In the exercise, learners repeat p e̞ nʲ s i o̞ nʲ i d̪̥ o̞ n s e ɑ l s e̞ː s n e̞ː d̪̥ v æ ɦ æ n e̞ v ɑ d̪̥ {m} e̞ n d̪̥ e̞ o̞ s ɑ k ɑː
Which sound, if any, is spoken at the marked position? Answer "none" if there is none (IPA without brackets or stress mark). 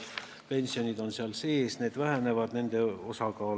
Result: n